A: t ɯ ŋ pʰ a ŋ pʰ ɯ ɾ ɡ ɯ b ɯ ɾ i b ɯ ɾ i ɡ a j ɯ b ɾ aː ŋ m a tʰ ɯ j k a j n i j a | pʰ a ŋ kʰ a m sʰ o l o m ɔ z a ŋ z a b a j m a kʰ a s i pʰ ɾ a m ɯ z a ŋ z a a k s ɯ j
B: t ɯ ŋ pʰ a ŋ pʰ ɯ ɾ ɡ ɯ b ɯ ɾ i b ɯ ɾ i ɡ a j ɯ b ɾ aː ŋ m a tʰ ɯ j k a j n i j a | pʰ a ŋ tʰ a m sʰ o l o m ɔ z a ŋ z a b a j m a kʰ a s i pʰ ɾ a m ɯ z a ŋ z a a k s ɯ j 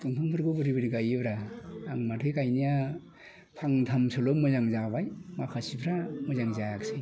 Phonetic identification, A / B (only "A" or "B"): B